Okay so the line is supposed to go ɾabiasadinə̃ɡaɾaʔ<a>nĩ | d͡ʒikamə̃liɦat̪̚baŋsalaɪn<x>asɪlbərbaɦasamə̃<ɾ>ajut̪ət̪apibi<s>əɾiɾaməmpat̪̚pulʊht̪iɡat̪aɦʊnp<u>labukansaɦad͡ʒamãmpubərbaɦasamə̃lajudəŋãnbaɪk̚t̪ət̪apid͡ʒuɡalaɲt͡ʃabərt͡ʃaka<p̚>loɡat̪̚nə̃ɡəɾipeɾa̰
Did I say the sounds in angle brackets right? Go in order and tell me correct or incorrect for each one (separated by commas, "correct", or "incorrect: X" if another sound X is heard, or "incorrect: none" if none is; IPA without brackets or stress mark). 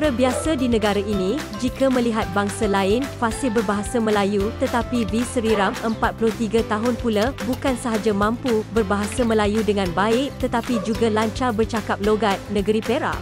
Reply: incorrect: i, incorrect: f, incorrect: l, correct, correct, correct